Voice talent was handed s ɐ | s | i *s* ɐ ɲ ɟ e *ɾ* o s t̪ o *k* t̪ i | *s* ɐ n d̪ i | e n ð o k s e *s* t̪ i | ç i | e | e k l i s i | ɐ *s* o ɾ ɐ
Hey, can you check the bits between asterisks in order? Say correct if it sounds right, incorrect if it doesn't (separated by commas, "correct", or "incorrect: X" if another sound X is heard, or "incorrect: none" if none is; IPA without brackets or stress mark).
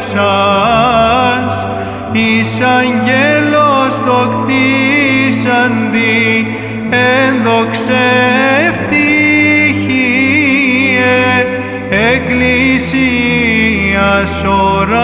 correct, incorrect: l, correct, correct, incorrect: f, correct